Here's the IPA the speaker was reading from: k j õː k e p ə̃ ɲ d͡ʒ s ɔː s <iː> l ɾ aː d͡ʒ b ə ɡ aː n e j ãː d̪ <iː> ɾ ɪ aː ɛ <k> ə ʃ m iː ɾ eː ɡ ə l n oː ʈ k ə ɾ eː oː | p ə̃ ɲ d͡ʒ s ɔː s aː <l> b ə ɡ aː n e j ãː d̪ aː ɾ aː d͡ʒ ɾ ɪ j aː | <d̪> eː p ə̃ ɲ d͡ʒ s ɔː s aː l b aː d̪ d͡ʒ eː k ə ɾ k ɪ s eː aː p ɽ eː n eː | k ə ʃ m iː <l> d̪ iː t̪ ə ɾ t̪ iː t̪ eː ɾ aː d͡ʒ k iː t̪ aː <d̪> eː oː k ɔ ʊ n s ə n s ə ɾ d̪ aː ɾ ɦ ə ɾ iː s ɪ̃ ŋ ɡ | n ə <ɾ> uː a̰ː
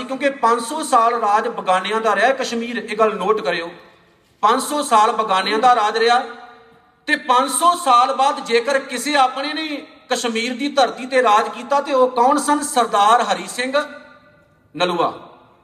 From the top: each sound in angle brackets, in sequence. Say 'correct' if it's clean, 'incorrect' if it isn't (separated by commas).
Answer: incorrect, incorrect, correct, correct, incorrect, incorrect, incorrect, incorrect